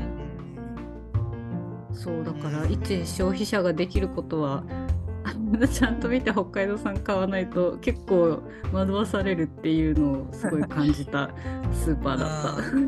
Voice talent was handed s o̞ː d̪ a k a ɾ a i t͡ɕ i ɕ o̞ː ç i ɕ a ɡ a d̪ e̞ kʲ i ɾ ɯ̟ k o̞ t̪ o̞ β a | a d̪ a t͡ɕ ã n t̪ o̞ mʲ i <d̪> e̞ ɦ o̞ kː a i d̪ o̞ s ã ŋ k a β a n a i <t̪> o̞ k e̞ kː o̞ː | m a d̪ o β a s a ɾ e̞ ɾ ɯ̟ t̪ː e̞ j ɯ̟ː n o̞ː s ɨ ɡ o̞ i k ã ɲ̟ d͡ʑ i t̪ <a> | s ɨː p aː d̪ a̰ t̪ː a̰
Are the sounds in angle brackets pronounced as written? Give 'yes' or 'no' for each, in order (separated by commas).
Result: no, yes, yes